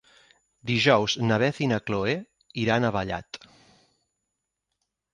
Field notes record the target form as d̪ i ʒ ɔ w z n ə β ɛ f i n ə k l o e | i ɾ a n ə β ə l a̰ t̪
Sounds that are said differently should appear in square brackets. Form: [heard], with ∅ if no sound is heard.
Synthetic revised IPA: d̪ i ʒ ɔ w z n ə β ɛ [θ] i n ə k l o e | i ɾ a n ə β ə [ʎ] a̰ t̪